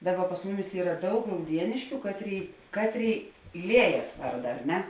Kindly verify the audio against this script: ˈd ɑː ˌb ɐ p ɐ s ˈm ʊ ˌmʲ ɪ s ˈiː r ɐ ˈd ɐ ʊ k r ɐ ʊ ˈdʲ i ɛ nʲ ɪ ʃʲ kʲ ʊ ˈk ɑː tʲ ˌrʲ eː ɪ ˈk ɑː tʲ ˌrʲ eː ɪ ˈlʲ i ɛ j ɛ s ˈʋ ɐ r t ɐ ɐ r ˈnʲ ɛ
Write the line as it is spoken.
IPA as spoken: ˈd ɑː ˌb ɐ p ɐ s ˈm ʊ ˌmʲ ɪ s ˈiː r ɐ ˈd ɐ ʊ k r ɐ ʊ ˈdʲ i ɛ nʲ ɪ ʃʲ kʲ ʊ ˈk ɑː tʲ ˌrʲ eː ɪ ˈk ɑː tʲ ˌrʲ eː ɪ ˈlʲ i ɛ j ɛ s ˈʋ ɐ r d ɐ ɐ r ˈnʲ ɛ